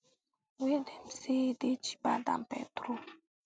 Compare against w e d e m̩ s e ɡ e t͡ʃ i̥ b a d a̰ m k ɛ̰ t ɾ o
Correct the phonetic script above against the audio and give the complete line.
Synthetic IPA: w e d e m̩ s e d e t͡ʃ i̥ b a d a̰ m p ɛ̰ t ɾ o